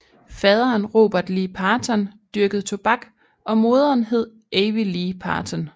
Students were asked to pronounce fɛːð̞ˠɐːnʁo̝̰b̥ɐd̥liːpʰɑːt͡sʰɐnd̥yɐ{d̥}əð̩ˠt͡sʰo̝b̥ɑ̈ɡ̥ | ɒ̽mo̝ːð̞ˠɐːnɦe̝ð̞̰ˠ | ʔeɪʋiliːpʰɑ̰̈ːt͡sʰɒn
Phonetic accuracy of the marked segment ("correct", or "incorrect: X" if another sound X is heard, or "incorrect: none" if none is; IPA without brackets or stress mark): incorrect: ɡ̥